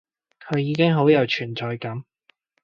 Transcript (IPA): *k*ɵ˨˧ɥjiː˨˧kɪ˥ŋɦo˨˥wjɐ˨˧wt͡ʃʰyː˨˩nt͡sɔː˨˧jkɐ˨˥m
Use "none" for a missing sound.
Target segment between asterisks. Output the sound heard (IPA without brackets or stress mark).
kʰ